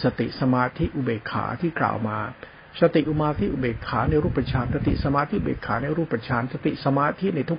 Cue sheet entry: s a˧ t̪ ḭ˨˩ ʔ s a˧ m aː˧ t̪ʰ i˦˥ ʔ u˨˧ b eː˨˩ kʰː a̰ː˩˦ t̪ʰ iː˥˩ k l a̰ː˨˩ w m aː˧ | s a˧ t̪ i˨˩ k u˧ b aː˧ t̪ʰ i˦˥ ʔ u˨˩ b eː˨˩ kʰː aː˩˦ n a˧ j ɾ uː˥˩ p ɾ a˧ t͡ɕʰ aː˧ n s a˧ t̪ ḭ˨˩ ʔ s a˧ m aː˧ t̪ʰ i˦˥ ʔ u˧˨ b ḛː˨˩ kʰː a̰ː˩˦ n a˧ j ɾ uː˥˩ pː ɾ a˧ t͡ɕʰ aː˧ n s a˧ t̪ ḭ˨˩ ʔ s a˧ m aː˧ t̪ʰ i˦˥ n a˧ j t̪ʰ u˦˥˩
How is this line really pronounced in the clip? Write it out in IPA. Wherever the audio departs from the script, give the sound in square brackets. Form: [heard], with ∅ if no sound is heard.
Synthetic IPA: s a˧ t̪ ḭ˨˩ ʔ s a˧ m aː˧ t̪ʰ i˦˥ ʔ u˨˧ b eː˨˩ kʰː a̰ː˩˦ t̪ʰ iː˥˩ k l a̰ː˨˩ w m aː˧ | s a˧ t̪ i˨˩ [ʔ] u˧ [m] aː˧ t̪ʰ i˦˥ ʔ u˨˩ b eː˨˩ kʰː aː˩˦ n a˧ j ɾ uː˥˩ p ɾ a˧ t͡ɕʰ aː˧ n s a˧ t̪ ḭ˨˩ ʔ s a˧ m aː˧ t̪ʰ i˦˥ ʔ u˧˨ b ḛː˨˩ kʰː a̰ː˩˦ n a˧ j ɾ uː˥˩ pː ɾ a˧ t͡ɕʰ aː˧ n s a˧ t̪ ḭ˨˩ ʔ s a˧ m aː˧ t̪ʰ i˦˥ n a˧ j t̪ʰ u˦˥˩